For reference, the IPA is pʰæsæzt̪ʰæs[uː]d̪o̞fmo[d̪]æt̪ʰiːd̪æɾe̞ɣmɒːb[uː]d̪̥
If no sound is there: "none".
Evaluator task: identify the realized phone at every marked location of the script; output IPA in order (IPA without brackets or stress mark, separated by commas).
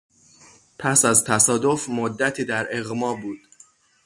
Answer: ɒː, d̪ː, uː